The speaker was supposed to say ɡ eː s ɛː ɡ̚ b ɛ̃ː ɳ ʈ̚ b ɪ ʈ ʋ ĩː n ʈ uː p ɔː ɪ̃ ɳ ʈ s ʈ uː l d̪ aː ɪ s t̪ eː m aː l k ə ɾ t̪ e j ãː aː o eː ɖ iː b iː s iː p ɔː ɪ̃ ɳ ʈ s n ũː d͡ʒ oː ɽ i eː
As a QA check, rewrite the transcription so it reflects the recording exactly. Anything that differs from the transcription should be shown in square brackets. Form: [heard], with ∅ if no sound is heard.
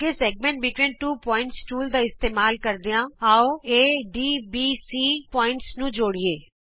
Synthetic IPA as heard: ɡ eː s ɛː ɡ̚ [m] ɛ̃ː ɳ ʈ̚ b ɪ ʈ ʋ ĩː n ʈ uː p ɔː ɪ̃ ɳ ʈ s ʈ uː l d̪ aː ɪ s t̪ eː m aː l k ə ɾ [d̪] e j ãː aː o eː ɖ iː b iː s iː p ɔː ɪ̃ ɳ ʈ s n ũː d͡ʒ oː ɽ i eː